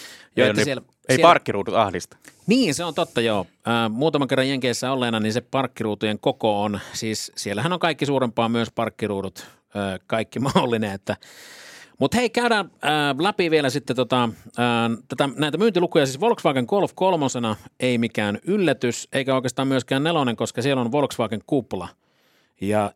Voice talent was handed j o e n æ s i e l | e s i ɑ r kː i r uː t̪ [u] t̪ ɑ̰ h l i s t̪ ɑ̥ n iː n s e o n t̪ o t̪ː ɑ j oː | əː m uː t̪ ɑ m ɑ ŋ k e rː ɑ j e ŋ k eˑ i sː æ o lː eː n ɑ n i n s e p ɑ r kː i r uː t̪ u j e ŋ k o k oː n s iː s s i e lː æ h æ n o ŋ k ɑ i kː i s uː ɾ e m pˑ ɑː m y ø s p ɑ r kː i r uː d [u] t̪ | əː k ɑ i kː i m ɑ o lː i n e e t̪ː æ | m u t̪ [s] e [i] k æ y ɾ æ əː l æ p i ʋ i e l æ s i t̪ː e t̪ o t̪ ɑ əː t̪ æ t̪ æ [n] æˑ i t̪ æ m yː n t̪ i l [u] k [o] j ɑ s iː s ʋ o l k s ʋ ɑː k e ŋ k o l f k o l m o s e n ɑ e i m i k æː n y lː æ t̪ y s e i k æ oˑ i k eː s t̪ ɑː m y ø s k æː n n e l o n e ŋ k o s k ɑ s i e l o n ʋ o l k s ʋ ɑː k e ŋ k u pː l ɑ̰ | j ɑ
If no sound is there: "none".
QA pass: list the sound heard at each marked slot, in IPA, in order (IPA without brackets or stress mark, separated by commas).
u, u, h, i, n, u, u